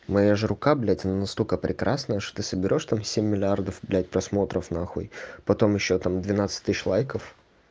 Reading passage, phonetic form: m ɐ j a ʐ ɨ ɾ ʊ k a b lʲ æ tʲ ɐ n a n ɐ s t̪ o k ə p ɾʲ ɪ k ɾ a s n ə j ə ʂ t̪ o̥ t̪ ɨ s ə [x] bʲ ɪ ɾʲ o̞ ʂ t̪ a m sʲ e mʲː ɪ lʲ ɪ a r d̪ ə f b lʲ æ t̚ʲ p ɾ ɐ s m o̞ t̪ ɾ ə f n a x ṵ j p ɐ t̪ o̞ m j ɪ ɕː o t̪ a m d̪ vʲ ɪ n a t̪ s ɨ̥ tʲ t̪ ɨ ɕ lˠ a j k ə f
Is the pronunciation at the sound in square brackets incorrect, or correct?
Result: incorrect